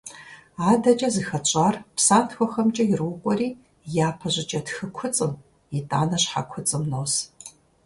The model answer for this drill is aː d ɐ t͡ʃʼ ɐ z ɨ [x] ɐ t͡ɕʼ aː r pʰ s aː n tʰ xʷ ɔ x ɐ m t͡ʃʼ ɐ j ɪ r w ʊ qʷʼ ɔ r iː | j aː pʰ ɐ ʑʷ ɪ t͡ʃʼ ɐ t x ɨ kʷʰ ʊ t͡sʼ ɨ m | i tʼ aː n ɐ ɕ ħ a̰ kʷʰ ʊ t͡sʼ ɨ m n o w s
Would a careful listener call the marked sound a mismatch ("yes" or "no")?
no